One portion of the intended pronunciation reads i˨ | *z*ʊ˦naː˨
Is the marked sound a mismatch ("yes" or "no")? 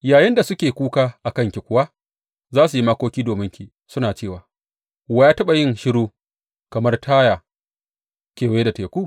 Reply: yes